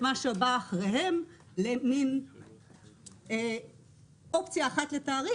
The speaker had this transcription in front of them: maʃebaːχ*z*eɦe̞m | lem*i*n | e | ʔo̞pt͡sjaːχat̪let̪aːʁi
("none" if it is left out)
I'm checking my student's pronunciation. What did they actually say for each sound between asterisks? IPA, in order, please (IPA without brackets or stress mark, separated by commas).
ʁ, i